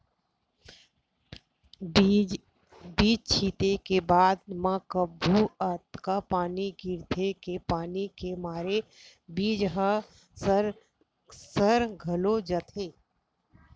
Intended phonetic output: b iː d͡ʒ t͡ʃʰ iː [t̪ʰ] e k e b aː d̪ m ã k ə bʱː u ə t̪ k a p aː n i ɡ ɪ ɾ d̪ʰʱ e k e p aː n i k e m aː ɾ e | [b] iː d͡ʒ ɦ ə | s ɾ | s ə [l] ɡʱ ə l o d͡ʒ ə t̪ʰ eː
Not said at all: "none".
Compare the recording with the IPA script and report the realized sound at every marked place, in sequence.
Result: t̪, b, ɾ

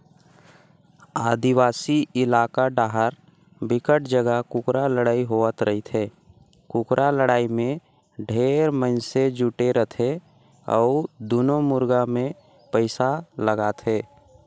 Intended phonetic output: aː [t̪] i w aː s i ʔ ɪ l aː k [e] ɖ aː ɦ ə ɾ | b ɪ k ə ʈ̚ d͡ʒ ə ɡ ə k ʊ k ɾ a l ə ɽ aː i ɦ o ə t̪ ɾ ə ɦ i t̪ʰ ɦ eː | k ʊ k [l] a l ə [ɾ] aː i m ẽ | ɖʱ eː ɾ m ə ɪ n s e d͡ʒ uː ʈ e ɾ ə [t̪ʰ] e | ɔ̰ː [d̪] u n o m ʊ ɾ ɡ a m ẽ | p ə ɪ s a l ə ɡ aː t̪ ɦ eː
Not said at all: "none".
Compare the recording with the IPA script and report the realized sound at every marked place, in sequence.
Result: d̪, a, ɾ, ɽ, t̪ʰ, d̪

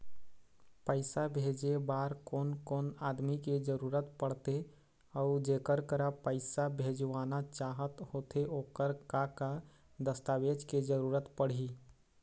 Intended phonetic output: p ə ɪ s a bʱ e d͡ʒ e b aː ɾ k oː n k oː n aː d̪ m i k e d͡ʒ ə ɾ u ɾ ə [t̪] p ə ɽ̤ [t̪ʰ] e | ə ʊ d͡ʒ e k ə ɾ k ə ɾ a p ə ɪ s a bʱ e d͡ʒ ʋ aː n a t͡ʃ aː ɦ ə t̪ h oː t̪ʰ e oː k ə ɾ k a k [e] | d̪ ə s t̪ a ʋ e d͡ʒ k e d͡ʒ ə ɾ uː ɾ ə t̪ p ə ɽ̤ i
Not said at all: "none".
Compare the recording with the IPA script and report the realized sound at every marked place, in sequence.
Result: t̪, t̪, a

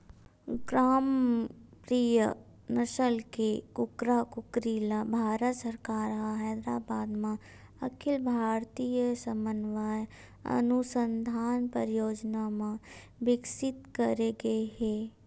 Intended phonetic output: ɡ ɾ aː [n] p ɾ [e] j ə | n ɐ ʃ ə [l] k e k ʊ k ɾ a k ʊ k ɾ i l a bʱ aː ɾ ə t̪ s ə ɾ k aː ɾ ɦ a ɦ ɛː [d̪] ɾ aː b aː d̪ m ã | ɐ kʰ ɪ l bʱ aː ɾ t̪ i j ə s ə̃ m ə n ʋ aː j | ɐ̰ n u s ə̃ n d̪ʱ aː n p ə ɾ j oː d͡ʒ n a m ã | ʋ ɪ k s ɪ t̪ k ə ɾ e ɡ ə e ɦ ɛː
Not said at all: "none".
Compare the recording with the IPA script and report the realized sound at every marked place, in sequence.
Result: m, i, l, d̪

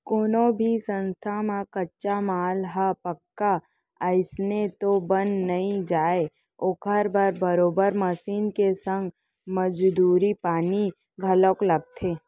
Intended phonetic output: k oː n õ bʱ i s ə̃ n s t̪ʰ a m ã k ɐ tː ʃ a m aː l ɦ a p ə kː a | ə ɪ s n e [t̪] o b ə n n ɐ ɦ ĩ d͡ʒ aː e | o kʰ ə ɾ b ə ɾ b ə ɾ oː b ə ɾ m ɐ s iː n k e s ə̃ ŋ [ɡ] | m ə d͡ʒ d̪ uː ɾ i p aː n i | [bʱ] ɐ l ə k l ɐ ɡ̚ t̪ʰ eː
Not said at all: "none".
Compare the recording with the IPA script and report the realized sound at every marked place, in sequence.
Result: t̪, ɡ, ɡʱ

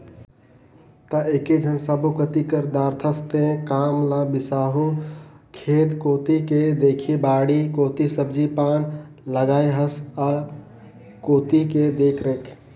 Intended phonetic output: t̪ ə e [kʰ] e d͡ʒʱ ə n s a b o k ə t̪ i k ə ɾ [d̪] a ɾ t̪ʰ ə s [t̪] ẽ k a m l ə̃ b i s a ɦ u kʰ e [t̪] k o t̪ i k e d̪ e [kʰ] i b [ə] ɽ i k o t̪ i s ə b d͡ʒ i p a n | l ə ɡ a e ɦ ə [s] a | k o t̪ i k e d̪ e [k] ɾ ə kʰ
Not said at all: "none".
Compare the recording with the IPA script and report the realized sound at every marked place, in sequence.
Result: k, d̪, t̪, t̪, kʰ, a, s, kʰ

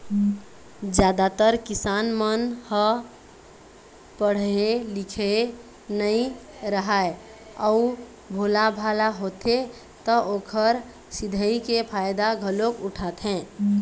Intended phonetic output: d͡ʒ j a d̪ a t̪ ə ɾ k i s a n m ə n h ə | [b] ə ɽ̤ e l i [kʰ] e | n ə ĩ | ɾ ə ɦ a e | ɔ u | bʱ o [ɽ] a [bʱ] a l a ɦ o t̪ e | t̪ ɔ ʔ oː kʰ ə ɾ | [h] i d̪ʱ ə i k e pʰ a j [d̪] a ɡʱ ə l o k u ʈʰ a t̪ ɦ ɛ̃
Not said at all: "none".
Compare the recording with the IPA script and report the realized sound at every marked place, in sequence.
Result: p, kʰ, l, bʱ, s, d̪

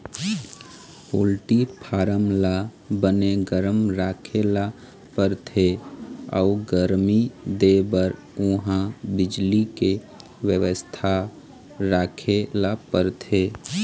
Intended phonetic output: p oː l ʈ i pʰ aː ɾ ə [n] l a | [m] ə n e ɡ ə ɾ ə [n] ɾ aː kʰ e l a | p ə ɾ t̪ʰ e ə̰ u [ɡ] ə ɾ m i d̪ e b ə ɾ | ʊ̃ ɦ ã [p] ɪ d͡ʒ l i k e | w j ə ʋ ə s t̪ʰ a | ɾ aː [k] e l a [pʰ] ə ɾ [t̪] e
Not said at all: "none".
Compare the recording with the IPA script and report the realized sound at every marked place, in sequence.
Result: m, b, m, ɡ, b, kʰ, p, t̪ʰ

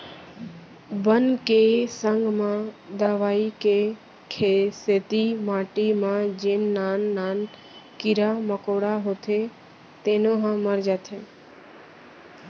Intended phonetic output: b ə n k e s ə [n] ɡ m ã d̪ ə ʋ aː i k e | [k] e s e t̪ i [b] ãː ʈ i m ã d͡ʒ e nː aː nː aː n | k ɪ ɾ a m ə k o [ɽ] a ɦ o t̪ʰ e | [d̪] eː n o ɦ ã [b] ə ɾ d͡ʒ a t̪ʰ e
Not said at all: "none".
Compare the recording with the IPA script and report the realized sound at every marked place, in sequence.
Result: ŋ, kʰ, m, ɽ, t̪, m

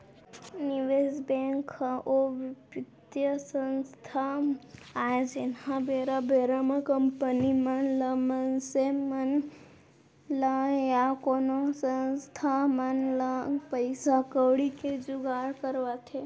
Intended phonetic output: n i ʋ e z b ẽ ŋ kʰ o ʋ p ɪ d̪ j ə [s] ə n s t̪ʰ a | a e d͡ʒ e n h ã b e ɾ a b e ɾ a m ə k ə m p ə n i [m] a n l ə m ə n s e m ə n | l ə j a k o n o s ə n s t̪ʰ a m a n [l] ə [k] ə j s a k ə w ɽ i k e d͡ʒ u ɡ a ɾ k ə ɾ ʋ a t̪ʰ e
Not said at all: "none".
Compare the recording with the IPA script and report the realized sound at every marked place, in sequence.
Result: s, m, l, p

